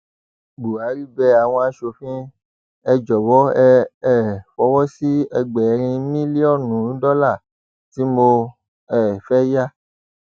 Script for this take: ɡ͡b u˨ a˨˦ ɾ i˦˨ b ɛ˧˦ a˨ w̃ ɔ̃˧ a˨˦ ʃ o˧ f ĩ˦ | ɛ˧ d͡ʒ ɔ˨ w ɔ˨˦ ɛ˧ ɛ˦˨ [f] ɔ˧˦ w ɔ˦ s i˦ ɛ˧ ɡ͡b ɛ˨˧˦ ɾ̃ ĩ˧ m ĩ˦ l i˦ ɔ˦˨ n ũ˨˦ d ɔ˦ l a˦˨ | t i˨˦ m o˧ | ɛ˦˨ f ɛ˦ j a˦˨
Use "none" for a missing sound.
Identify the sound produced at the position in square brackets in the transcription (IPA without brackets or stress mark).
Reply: f